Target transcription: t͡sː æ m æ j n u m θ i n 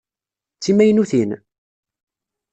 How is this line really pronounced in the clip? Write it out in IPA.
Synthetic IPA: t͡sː i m æ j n u θ i n